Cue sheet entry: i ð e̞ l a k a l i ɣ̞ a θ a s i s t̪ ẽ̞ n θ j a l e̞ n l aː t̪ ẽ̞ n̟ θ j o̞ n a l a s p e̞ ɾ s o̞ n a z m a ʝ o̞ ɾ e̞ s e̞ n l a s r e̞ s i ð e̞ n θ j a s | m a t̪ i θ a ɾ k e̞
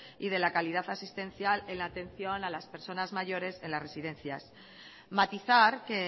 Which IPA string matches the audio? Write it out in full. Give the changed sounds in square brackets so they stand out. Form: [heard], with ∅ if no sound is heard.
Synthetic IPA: i ð e̞ l a k a l i [ð̞] a θ a s i s t̪ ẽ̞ n θ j a l e̞ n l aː t̪ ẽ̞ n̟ θ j o̞ n a l a s p e̞ ɾ s o̞ n a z m a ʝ o̞ ɾ e̞ s e̞ n l a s r e̞ s i ð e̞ n θ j a s | m a t̪ i θ a ɾ k e̞